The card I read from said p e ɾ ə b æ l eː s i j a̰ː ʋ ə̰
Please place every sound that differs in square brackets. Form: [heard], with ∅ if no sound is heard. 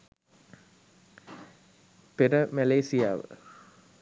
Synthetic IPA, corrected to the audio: p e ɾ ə [m] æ l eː s i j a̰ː ʋ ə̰